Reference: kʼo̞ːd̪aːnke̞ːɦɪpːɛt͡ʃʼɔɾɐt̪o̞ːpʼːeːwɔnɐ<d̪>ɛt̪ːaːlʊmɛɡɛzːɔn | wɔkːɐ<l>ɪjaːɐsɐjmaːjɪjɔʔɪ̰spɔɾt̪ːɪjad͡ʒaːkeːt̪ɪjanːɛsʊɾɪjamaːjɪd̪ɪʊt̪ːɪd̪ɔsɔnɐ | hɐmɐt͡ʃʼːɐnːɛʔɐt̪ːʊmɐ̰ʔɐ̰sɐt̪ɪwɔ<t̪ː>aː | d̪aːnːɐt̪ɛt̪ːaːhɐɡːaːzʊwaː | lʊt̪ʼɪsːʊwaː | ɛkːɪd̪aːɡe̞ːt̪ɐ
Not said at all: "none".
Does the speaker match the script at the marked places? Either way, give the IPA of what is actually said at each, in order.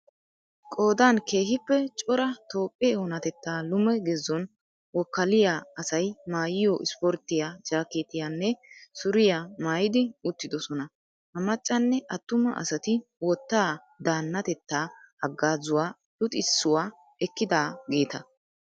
t̪, l, t̪ː

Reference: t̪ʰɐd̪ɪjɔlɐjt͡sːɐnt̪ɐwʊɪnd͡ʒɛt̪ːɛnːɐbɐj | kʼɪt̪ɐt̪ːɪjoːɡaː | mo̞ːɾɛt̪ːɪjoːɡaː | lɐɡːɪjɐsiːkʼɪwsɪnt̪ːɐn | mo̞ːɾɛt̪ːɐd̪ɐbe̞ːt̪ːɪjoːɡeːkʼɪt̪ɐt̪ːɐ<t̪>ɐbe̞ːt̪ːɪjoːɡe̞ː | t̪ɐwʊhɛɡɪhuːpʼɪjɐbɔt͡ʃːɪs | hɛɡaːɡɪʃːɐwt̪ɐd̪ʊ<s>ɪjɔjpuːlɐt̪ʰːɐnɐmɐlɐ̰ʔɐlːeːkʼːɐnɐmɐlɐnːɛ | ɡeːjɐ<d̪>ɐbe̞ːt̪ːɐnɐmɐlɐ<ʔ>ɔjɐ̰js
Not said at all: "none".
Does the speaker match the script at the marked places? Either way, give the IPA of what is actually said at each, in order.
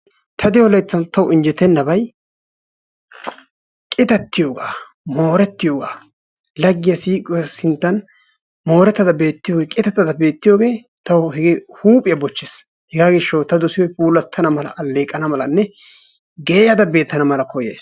d̪, s, d̪, k

